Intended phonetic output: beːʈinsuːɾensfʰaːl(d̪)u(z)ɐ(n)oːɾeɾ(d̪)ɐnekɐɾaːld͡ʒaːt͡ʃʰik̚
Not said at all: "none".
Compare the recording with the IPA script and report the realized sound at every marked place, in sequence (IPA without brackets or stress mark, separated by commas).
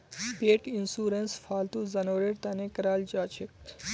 t̪, z, n, t̪